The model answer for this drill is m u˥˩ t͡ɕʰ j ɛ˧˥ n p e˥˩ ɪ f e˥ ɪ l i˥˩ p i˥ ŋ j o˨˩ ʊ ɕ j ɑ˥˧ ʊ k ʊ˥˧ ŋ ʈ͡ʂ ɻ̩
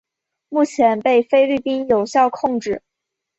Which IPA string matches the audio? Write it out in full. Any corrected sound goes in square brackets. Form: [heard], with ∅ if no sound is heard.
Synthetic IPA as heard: m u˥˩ t͡ɕʰ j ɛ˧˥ n p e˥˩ ɪ f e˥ ɪ l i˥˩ p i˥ [n] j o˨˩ ʊ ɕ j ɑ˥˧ ʊ [kʰ] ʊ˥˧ ŋ ʈ͡ʂ ɻ̩